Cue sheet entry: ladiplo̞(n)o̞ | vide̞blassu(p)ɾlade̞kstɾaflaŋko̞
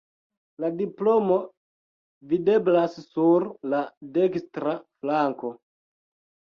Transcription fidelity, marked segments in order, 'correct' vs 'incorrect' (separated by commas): incorrect, incorrect